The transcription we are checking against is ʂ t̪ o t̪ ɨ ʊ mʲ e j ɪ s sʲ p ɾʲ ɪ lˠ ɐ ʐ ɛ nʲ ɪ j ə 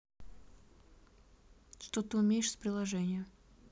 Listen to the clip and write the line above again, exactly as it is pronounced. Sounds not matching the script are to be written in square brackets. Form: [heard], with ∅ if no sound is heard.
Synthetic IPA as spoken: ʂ t̪ o t̪ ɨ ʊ mʲ e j ɪ [ʂ] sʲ p ɾʲ ɪ lˠ ɐ ʐ ɛ nʲ ɪ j ə